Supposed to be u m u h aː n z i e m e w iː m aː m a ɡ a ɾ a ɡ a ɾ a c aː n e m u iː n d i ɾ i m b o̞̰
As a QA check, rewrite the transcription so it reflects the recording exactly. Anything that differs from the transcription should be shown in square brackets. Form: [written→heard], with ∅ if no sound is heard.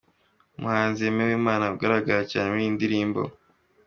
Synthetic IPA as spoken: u m u h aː n z i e m e w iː m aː [m→n] a ɡ a ɾ a ɡ a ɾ a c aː n e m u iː n d i ɾ [i→iː] m b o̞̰